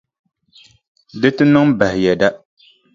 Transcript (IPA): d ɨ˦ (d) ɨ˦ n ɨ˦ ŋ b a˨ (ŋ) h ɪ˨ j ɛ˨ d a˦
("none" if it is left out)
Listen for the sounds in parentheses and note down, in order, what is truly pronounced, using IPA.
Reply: t, none

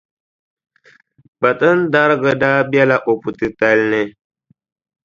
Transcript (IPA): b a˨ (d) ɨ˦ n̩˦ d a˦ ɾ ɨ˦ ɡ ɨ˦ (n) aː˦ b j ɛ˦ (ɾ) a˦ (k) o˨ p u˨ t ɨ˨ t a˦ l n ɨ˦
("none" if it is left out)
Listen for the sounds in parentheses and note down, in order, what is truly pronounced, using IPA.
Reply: t, d, l, ʔ

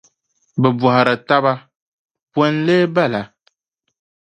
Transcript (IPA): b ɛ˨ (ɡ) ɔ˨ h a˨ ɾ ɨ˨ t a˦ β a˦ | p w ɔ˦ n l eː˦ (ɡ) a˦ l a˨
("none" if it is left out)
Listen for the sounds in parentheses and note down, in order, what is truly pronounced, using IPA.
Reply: b, b

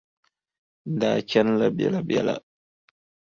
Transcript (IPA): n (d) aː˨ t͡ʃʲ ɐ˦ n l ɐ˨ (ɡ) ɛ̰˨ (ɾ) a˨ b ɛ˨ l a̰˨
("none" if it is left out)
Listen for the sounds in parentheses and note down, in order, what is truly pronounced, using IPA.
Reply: d, b, l

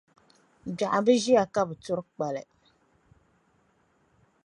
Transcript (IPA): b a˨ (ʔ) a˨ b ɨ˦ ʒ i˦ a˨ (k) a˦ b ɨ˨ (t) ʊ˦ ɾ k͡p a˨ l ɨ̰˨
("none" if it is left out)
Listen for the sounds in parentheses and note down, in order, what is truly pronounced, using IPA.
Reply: ʔ, k, t

